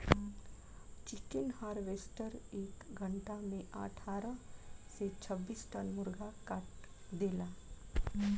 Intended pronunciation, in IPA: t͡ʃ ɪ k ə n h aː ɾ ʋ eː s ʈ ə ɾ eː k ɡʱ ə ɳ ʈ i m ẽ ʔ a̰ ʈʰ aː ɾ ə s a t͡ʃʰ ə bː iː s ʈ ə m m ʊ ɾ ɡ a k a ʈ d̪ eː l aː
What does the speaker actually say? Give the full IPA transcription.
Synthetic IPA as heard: t͡ʃ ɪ k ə n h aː ɾ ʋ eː s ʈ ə ɾ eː k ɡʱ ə ɳ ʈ a m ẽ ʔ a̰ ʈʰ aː ɾ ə s e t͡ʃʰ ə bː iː s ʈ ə n m ʊ ɾ ɡ a k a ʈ d̪ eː l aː